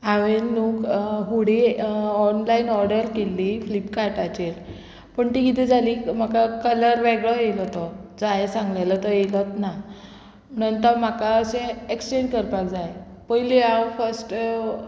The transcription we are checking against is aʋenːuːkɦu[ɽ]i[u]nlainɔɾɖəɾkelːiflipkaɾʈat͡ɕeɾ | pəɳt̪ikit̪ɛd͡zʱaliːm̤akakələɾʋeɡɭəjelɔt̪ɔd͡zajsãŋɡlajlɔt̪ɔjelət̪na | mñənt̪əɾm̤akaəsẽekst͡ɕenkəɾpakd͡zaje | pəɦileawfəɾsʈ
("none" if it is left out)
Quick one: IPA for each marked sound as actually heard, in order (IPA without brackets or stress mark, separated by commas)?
ɽ, ɔ